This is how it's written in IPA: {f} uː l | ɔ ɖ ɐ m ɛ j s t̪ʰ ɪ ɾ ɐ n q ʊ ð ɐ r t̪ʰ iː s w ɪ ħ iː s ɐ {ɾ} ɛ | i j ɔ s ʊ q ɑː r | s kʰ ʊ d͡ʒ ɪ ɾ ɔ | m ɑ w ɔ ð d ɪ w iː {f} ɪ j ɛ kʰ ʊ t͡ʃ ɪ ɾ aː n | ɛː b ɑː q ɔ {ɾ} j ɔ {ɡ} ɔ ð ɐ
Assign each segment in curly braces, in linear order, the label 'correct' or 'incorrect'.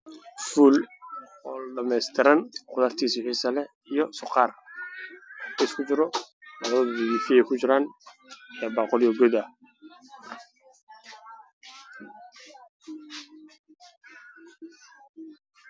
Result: correct, incorrect: l, correct, incorrect: l, correct

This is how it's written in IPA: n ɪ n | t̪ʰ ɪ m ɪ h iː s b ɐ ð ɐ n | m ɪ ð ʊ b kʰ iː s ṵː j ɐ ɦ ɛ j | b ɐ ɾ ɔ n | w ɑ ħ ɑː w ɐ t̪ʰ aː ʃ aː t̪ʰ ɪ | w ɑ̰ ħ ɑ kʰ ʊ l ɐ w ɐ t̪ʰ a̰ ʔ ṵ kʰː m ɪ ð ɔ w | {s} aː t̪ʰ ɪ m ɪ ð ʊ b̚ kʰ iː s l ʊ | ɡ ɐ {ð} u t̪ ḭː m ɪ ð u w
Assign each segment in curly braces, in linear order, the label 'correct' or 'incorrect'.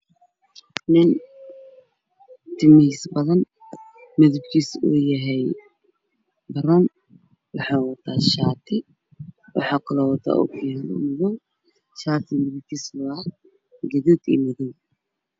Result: incorrect: ʃ, correct

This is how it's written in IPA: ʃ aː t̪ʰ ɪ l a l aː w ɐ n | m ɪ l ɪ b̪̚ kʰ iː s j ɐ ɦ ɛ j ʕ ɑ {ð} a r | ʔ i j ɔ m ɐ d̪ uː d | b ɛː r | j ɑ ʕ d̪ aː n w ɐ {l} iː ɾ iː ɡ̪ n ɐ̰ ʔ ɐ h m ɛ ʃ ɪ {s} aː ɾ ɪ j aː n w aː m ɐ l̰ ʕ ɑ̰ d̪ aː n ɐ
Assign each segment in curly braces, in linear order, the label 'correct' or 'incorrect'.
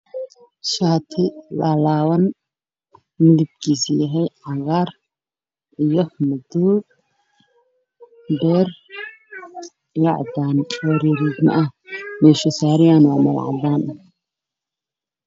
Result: incorrect: ɣ, incorrect: ɾ, correct

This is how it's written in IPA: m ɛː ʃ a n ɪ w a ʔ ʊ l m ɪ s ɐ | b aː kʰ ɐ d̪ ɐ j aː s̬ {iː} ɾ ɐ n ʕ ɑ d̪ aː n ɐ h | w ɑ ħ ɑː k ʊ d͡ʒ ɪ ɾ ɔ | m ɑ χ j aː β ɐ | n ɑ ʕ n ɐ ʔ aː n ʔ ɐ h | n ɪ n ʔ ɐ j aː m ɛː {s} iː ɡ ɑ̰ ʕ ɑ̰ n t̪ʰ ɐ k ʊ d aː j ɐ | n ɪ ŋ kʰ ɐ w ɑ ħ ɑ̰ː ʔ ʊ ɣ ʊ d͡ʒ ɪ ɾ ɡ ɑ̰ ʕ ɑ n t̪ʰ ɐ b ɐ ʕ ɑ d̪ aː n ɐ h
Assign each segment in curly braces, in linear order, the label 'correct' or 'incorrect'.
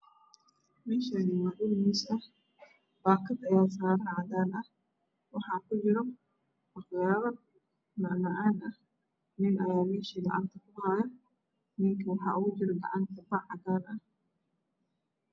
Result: incorrect: aː, incorrect: ʃ

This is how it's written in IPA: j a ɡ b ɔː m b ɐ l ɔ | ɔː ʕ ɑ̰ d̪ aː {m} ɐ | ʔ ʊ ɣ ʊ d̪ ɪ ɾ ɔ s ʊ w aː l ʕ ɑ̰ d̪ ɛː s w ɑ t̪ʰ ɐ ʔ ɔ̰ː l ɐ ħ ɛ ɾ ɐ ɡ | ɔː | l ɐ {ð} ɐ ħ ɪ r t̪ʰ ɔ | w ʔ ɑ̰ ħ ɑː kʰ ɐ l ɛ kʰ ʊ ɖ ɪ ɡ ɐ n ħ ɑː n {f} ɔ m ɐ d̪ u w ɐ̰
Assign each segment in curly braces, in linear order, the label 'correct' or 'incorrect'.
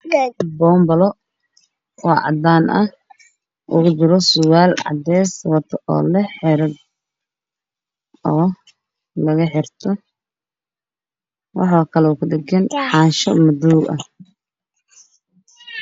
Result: incorrect: n, incorrect: ɣ, incorrect: ʃ

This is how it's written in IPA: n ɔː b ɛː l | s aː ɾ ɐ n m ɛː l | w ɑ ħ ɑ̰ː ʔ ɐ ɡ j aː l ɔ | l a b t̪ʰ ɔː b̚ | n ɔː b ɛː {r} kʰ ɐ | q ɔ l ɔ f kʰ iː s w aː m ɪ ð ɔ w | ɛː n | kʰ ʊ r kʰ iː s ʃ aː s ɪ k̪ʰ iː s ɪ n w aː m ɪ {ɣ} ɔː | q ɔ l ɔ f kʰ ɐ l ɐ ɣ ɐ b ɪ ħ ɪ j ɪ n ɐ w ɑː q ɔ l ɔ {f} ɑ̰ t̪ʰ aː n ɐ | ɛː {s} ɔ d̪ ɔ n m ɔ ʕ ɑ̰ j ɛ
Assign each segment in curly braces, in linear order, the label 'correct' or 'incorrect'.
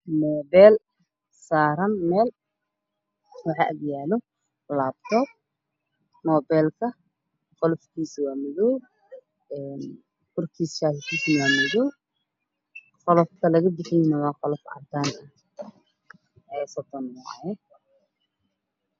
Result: incorrect: l, incorrect: ð, correct, correct

